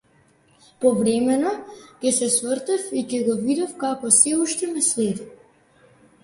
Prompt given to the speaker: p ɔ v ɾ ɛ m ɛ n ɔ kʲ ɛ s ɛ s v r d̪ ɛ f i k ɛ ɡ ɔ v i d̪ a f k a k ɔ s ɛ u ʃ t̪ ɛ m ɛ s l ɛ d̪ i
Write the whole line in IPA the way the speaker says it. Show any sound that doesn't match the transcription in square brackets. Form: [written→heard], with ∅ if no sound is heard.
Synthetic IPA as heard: p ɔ v ɾ ɛ m ɛ n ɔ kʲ ɛ s ɛ s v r [d̪→t̪] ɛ f i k ɛ ɡ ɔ v i d̪ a f k a k ɔ s ɛ u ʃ t̪ ɛ m ɛ s l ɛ d̪ i